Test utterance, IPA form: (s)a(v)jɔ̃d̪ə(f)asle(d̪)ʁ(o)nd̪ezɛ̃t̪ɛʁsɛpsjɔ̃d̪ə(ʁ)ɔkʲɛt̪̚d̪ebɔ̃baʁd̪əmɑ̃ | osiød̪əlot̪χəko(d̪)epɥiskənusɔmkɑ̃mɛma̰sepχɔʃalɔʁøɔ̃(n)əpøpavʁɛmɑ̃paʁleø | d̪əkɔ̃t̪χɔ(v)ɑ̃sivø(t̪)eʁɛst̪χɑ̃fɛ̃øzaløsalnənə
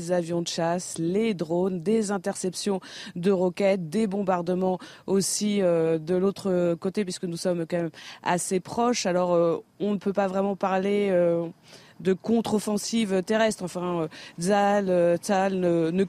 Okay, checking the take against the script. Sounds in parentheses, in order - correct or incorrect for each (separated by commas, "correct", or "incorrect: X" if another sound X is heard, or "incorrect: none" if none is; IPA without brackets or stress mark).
incorrect: z, correct, incorrect: ʃ, correct, correct, correct, incorrect: t̪, correct, incorrect: f, correct